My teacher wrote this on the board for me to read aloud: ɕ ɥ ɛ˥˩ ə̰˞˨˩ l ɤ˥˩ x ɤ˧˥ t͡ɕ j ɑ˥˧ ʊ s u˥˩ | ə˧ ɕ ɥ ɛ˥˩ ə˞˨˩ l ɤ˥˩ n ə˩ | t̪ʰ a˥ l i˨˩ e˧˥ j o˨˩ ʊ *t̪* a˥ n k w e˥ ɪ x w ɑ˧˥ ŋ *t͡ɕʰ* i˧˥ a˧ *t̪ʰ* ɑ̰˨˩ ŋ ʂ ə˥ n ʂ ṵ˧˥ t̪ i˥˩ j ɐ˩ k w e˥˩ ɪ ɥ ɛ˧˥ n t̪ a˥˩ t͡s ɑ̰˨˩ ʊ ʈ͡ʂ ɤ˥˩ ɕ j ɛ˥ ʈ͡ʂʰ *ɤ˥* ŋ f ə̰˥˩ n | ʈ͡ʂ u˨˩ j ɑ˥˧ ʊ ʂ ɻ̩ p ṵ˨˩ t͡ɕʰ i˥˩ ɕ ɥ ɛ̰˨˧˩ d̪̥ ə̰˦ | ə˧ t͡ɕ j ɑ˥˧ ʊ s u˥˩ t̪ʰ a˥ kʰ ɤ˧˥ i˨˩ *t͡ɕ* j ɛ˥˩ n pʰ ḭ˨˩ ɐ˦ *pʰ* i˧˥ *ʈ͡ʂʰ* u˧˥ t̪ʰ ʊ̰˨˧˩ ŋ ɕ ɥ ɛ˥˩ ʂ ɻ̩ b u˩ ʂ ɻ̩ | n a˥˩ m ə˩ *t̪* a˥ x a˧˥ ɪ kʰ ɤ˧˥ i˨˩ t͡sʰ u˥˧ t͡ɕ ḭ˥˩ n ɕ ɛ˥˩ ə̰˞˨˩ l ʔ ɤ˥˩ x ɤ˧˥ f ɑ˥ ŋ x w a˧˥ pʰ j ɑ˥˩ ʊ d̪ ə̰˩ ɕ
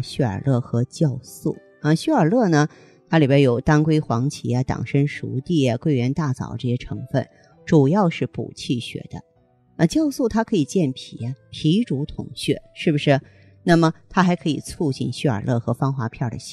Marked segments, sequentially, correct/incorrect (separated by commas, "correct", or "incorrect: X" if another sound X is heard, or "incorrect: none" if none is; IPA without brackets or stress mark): correct, correct, incorrect: t̪, incorrect: ɤ˧˥, correct, correct, incorrect: ʈ͡ʂ, incorrect: t̪ʰ